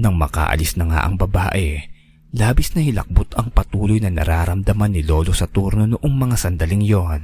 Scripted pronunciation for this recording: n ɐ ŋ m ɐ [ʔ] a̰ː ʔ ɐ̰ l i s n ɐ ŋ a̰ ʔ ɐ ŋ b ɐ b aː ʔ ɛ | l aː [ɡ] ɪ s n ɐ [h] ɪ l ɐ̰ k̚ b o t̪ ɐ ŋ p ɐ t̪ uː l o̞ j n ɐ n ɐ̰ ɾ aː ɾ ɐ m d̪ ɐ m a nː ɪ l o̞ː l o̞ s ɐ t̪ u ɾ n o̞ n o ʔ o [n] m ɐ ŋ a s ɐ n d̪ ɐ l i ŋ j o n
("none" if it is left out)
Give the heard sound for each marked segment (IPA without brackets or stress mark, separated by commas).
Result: k, b, h, ŋ